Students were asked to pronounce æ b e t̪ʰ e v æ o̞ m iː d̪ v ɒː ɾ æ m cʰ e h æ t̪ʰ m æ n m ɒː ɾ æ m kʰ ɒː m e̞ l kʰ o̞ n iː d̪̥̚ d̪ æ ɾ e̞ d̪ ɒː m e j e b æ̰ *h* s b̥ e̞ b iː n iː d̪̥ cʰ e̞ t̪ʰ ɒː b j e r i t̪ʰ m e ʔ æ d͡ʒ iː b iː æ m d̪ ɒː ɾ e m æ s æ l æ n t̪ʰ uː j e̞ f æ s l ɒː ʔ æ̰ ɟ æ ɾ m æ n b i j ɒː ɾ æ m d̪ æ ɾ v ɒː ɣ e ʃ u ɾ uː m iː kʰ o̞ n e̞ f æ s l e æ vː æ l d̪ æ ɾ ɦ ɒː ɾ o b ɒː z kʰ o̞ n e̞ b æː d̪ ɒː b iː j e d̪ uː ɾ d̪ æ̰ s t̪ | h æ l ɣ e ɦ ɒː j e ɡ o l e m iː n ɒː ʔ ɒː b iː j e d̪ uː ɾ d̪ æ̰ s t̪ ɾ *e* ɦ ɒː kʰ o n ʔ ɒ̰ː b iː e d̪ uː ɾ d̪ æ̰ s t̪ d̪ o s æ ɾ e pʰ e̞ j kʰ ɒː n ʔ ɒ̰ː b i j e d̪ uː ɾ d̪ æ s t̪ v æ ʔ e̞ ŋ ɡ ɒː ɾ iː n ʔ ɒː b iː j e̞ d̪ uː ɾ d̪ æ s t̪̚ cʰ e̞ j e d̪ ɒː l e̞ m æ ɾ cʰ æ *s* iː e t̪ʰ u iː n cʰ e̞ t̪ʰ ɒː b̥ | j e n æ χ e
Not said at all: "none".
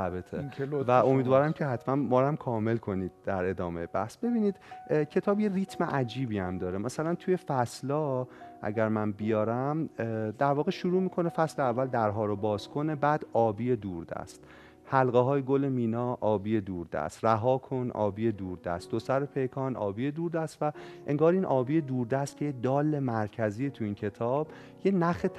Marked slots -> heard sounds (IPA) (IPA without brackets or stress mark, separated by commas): h, æ, z